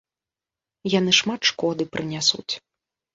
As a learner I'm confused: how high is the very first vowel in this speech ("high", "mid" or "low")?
low